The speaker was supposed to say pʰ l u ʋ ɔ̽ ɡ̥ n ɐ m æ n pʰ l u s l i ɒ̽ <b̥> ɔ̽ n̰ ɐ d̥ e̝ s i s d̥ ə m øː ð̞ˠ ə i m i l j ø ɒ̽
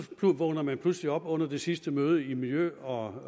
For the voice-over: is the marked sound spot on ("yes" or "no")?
yes